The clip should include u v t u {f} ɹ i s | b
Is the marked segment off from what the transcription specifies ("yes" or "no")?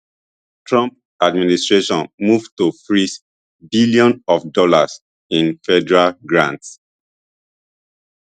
no